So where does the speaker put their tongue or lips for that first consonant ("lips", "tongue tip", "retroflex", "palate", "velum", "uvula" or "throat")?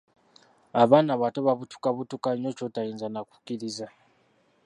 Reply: lips